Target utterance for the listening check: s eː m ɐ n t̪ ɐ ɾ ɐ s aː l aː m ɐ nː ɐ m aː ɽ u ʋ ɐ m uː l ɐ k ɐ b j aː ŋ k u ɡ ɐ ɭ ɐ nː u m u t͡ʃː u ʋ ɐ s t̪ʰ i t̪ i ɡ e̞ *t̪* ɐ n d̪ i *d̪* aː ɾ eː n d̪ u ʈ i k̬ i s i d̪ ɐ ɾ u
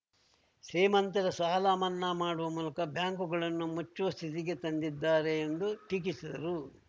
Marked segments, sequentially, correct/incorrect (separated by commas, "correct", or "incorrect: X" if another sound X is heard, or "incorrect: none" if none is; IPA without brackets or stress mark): correct, incorrect: d̪ː